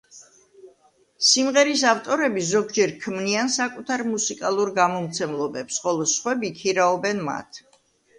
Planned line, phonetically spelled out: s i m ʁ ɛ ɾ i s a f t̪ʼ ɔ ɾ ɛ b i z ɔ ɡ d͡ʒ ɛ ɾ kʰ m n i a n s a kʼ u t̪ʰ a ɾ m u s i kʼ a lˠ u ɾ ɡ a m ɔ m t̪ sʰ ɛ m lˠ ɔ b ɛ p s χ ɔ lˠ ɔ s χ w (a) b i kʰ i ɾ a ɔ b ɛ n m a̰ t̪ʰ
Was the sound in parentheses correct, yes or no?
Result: no